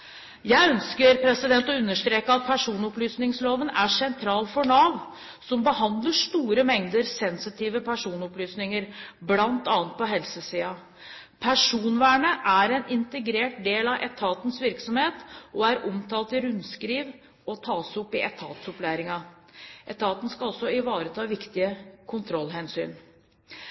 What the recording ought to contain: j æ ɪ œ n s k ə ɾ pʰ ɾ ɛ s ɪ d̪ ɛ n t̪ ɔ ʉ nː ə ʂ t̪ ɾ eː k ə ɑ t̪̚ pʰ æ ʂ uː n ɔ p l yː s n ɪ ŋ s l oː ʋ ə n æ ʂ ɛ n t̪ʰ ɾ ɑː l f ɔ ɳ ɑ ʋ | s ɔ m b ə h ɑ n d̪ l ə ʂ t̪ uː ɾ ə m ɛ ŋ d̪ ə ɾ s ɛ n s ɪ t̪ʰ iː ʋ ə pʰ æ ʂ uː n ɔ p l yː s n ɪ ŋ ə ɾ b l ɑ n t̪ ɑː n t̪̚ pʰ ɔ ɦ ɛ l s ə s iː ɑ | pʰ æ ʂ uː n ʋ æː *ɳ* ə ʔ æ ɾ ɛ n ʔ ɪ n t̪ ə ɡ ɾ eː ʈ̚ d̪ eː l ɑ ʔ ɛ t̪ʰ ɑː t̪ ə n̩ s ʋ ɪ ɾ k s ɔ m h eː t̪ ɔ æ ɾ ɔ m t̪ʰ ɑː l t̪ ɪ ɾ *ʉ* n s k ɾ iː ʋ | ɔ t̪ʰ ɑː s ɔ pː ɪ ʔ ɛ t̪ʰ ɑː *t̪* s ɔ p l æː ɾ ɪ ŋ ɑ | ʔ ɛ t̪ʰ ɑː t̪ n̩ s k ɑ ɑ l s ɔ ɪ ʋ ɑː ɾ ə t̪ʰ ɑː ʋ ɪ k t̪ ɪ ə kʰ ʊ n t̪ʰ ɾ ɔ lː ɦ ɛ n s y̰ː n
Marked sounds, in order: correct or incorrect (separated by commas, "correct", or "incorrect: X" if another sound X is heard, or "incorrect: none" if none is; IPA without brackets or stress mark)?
correct, correct, correct